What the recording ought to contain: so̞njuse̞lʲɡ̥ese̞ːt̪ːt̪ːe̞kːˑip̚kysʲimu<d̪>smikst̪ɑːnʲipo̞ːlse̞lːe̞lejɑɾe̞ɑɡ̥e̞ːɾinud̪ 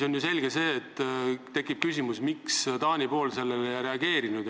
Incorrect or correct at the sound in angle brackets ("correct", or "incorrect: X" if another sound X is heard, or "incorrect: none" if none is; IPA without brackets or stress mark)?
incorrect: none